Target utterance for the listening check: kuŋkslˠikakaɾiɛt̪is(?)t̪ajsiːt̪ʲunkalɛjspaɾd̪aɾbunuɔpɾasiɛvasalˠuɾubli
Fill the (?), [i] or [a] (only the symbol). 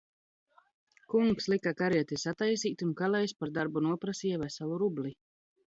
a